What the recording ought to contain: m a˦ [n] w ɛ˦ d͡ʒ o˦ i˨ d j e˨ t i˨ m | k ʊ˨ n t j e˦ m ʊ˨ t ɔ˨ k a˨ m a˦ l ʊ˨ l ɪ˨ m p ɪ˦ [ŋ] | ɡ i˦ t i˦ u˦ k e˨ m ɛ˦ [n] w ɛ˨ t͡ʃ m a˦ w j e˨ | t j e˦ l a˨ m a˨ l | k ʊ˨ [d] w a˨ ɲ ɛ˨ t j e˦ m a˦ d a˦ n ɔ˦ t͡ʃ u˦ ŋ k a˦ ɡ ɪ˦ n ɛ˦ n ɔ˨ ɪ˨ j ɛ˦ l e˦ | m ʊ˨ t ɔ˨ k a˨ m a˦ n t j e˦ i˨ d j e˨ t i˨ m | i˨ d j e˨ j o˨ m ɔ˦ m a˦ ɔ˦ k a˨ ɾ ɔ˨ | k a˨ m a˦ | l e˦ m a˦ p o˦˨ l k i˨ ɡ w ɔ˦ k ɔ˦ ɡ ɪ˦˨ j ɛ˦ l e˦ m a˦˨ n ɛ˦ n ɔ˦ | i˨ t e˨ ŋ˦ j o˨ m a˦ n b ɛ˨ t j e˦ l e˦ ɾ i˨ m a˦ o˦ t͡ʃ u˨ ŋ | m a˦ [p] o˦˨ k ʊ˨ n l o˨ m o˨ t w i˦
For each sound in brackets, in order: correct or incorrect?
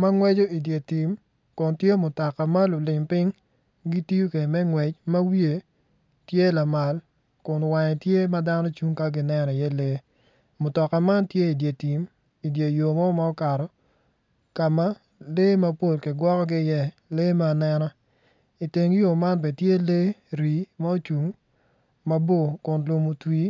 incorrect: ŋ, correct, incorrect: ŋ, incorrect: n, incorrect: b

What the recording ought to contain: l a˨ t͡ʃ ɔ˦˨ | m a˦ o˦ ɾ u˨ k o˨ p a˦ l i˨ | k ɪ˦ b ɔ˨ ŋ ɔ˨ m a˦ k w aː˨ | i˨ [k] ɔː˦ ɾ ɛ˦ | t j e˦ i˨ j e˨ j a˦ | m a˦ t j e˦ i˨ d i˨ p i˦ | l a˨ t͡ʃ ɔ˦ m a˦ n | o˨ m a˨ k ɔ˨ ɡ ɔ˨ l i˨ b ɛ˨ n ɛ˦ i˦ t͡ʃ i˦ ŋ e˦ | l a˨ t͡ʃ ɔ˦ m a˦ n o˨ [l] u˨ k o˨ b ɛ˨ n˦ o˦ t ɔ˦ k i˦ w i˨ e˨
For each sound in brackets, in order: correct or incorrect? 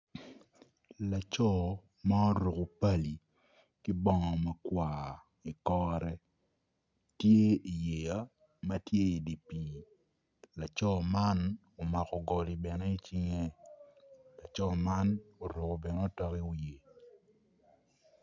correct, incorrect: ɾ

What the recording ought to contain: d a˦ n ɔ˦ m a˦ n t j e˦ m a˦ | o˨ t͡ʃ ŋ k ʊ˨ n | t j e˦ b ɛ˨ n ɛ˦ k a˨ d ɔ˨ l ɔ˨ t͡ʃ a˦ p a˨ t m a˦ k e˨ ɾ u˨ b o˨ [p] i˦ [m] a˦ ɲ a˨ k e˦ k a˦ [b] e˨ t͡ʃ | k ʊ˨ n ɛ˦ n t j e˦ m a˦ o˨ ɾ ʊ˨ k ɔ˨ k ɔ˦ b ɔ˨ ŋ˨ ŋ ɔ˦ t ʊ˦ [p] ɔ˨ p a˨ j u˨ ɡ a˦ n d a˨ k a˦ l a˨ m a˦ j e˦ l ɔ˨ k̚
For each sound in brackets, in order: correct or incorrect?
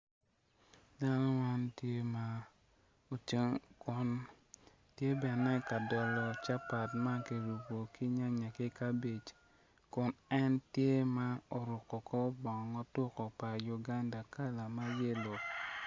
incorrect: k, incorrect: ɲ, correct, incorrect: k

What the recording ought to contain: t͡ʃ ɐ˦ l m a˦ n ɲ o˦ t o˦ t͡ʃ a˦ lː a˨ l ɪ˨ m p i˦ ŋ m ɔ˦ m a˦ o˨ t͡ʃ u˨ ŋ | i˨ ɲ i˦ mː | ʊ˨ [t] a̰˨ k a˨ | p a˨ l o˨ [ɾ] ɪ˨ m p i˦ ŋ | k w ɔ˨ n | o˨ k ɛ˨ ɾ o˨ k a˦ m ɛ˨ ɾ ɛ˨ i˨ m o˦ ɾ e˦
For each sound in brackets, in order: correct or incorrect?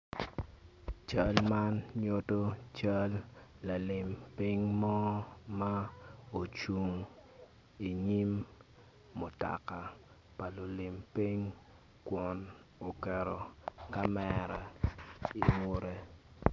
correct, incorrect: l

